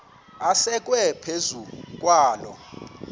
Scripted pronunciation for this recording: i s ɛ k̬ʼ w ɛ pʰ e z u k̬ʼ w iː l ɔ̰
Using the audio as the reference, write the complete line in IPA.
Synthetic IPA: a s ɛ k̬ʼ w ɛ pʰ e z u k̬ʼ w aː l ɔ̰

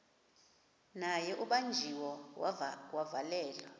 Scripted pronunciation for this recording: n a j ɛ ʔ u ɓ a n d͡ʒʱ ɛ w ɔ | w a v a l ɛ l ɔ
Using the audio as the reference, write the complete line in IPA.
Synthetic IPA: n a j ɛ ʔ u ɓ a n d͡ʒʱ i w ɔ | w a v a l ɛː l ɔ

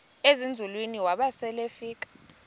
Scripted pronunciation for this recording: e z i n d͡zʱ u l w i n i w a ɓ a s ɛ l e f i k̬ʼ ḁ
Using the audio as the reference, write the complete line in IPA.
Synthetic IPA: e z i n d͡zʱ u l w i n i w a ɓ a s ɛ l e f iː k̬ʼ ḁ

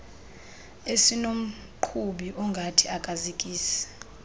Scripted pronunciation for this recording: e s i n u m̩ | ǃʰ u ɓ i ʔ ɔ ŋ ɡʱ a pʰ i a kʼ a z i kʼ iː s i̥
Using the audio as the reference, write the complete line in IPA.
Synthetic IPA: e s i n o m̩ | ǃʰ u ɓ i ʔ ɔ ŋ ɡʱ a tʰ i a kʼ a z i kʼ iː s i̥

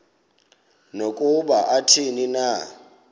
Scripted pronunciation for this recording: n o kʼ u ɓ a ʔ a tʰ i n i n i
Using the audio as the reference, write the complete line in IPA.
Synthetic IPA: n o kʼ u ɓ a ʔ a tʰ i n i n a

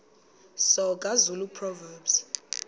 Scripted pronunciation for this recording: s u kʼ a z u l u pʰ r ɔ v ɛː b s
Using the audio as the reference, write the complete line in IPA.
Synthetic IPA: s ɔ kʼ a z u l u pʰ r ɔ v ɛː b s

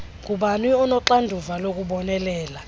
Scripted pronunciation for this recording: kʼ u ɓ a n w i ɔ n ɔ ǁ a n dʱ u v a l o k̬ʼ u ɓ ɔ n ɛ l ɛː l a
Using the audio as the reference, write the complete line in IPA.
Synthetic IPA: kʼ u ɓ a n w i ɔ n ɔ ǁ a n dʱ u v a l o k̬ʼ u ɓ ɔ n ɛ l ɛː l a

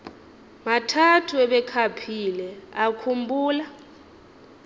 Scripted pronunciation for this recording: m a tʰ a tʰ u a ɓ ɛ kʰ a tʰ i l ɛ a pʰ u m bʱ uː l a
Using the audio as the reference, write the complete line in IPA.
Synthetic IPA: m a tʰ a tʰ u ɛ ɓ ɛ kʰ a pʰ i l ɛ a kʰ u m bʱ uː l a

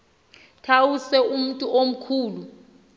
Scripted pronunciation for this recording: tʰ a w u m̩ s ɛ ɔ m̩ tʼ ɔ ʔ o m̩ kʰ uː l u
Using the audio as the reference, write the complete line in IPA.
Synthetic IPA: tʰ a w u s ɛ u m̩ tʼ u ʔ o m̩ kʰ uː l u

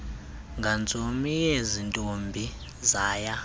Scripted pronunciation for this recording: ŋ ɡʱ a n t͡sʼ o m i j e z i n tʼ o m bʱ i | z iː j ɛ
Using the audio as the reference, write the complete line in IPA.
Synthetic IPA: ŋ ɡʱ a n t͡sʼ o m i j e z i n tʼ o m bʱ i | z aː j a

